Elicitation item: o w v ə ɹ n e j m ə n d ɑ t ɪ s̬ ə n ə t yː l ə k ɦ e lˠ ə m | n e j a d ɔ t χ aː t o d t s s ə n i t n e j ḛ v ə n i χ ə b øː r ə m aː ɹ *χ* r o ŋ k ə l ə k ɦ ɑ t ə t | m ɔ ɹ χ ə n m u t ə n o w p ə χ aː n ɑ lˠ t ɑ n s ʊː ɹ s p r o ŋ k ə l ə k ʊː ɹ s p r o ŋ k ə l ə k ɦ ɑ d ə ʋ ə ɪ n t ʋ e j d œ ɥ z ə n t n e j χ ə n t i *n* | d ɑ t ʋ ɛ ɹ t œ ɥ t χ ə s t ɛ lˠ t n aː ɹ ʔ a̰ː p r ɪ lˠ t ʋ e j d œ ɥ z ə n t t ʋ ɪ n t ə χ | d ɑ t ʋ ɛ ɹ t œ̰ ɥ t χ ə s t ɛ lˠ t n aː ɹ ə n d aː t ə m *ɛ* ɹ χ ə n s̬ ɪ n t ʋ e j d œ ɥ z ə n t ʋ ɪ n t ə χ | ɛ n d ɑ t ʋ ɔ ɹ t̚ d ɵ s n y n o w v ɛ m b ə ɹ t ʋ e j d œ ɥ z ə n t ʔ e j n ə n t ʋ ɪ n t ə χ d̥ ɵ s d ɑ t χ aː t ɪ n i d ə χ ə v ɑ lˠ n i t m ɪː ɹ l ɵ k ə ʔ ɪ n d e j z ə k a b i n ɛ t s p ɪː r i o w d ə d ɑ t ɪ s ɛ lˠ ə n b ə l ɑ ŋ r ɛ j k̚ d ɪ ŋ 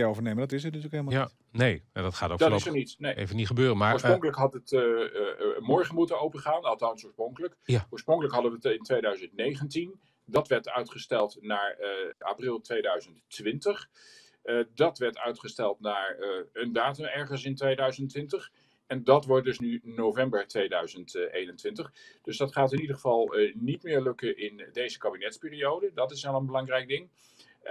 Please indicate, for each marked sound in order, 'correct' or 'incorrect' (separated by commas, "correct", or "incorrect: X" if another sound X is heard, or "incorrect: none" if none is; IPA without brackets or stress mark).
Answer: incorrect: s, correct, correct